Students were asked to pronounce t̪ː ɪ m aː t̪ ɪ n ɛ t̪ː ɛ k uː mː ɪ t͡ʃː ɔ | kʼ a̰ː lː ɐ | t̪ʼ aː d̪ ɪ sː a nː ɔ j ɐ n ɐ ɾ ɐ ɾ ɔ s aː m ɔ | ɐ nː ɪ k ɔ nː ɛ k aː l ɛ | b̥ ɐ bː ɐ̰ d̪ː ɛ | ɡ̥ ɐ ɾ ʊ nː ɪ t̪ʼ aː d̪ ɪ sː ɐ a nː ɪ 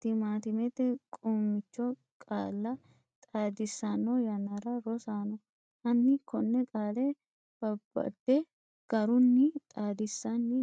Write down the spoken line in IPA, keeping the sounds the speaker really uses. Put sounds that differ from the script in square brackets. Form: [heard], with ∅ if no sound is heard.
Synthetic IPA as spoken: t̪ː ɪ m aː t̪ ɪ [m] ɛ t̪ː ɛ [kʼ] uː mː ɪ t͡ʃː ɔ | kʼ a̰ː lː ɐ | t̪ʼ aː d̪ ɪ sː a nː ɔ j ɐ n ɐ ɾ ɐ ɾ ɔ s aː [n] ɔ | ɐ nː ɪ k ɔ nː ɛ [kʼ] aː l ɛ | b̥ ɐ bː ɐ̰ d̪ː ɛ | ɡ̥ ɐ ɾ ʊ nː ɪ t̪ʼ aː d̪ ɪ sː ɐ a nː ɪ